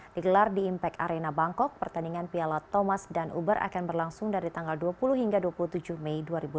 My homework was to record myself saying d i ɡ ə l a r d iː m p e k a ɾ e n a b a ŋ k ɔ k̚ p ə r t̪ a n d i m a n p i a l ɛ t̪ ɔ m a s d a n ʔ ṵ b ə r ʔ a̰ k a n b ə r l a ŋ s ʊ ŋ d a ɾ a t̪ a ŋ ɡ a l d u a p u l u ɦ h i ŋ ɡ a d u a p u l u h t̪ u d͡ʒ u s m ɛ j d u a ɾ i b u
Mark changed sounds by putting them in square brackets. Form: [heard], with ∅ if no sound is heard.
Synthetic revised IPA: d i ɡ ə l a r d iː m p [ɛ] k a ɾ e n a b a ŋ k ɔ k̚ p ə r t̪ a n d i [ŋ] a n p i a l [a] t̪ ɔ m a s d a n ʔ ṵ b ə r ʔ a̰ k a n b ə r l a ŋ s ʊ ŋ d a ɾ [i] t̪ a ŋ ɡ a l d u a p u l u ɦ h i ŋ ɡ a d u a p u l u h t̪ u d͡ʒ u [h] m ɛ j d u a ɾ i b u